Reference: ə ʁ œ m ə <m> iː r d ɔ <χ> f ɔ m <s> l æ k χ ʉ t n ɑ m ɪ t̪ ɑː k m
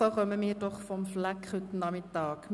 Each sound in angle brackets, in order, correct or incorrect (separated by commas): correct, correct, incorrect